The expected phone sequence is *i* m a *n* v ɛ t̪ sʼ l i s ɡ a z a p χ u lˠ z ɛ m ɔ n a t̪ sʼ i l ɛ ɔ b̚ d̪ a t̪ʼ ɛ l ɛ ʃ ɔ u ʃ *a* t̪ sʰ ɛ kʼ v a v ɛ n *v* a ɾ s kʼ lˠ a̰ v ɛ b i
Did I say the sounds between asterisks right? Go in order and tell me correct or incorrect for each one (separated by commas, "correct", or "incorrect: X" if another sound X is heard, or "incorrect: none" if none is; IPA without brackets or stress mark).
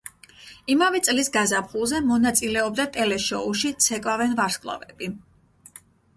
correct, incorrect: none, incorrect: i, correct